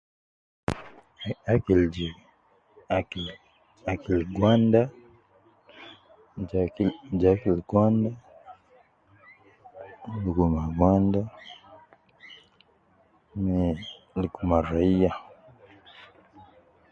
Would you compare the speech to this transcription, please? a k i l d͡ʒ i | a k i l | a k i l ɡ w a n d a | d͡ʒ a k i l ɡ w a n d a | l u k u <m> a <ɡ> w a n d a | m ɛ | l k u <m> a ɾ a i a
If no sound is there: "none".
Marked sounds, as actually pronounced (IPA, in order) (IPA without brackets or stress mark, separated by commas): m, ɡ, m